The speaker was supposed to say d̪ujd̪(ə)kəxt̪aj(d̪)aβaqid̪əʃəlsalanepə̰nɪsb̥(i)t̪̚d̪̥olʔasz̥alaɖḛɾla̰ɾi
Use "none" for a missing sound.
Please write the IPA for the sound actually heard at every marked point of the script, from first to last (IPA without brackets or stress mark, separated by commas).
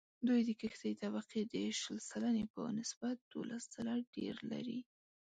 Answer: ə, t̪, a